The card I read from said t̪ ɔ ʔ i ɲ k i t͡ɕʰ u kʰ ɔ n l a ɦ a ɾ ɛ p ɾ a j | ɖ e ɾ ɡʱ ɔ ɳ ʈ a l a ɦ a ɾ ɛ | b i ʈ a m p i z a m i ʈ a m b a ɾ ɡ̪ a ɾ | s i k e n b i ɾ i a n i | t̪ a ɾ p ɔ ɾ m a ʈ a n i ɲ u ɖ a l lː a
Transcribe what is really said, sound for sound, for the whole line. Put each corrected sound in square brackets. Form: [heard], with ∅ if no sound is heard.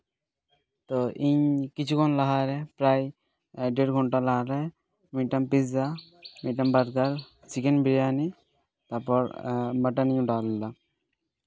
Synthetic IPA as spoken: t̪ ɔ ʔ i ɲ k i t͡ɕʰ u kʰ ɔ n l a ɦ a ɾ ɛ p ɾ a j | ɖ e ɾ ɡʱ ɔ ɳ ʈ a l a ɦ a ɾ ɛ | [m] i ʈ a m p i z a m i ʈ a m b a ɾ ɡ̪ a ɾ | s i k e n b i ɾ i a n i | t̪ a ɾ p ɔ ɾ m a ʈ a n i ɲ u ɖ a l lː a